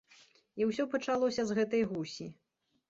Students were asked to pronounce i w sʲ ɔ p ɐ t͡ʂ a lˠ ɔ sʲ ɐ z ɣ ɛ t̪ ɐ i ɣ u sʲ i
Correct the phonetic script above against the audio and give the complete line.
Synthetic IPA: i w sʲ ɔ p ɐ t͡ʂ a lˠ ɔ sʲ ɐ z ɣ ɛ t̪ ɐ j ɣ u sʲ i